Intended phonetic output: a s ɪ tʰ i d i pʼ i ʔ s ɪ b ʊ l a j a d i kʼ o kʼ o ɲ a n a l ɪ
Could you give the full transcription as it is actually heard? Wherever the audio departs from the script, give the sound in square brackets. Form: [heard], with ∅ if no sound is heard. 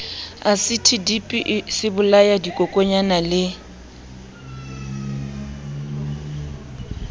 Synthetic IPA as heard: a s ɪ tʰ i d i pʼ i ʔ s ɪ b ʊ l a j a d i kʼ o kʼ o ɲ a n a l ɪ